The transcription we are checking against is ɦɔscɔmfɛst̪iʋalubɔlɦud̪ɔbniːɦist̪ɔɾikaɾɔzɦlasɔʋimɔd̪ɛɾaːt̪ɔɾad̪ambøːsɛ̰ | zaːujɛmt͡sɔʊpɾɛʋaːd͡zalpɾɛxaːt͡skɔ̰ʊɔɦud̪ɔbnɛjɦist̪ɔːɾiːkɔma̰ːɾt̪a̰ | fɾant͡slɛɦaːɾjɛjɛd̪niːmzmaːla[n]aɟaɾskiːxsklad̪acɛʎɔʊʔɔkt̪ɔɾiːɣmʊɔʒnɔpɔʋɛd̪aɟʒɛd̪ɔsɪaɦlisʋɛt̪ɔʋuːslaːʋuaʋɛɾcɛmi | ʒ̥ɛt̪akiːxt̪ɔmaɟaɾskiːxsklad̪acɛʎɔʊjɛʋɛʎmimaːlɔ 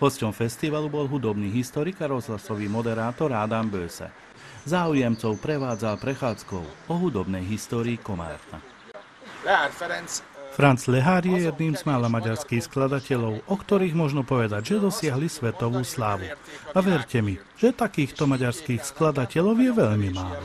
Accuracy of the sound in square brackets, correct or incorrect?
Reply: incorrect